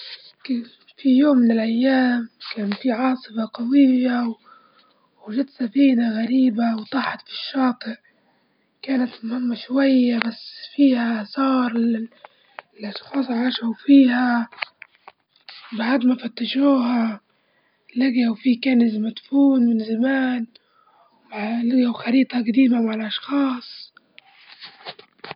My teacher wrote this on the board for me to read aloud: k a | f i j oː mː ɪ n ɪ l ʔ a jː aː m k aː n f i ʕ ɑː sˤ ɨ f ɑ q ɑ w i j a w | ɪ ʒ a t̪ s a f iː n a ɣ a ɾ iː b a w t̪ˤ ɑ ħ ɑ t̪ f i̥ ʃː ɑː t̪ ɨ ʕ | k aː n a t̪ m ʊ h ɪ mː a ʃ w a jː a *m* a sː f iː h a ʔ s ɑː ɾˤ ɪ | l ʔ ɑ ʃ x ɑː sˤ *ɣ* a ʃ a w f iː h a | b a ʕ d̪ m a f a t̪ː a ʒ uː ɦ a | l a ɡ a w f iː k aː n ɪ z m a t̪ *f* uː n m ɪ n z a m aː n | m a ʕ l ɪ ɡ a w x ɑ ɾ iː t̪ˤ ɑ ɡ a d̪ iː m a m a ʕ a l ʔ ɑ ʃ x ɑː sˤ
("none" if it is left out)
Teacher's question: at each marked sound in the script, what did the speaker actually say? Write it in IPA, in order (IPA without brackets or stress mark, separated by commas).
b, ʕ, f